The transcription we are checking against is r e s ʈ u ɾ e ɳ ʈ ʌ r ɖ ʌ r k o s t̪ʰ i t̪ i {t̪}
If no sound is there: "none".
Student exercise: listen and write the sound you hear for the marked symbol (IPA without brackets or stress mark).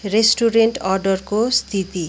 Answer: none